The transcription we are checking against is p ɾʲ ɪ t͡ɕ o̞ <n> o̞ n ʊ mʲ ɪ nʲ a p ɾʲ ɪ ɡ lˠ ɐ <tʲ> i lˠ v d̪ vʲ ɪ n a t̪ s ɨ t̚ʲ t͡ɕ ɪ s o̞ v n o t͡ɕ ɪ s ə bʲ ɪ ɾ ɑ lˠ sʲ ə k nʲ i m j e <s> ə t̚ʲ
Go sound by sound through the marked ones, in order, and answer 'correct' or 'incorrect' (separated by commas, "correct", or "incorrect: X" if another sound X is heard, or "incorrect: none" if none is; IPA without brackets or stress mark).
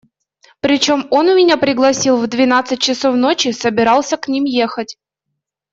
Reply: incorrect: m, incorrect: sʲ, incorrect: x